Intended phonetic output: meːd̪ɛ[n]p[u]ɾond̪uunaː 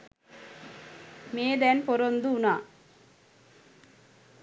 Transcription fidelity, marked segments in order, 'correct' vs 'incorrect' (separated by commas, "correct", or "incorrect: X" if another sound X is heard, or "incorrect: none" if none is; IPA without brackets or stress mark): correct, incorrect: o